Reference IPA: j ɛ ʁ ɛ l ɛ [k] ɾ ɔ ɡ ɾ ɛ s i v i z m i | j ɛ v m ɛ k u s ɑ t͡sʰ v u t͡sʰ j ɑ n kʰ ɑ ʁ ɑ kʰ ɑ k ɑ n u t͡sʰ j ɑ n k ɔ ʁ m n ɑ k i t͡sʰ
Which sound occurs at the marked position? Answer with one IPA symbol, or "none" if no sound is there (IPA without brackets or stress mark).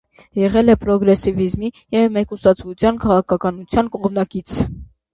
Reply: p